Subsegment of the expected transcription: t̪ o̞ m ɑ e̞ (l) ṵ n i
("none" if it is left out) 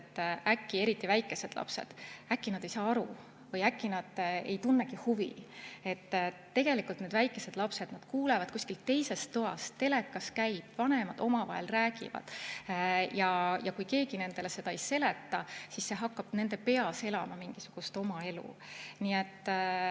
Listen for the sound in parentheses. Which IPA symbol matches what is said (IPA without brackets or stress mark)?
l